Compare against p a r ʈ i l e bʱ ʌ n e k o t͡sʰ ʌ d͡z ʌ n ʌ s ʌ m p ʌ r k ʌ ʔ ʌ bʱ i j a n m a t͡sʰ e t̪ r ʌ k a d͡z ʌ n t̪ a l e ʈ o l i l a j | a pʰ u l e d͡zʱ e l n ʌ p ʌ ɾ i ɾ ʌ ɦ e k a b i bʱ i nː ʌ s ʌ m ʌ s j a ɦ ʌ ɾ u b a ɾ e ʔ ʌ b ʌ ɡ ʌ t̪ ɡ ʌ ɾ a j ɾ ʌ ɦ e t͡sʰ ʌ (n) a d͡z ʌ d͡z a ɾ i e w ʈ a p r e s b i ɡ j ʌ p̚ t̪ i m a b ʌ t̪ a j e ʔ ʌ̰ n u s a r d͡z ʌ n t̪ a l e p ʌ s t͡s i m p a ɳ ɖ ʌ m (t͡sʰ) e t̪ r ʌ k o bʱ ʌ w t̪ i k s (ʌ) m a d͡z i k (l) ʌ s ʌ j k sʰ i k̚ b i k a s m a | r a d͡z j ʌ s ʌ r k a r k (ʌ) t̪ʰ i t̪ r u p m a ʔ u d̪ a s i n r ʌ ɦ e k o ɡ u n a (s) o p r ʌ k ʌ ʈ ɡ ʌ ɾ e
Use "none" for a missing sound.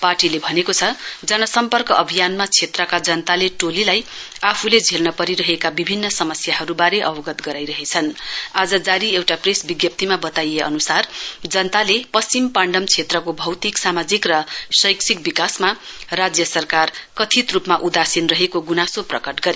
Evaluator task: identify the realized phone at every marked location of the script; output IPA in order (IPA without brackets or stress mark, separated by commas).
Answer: n, t͡sʰ, a, r, ʌ, s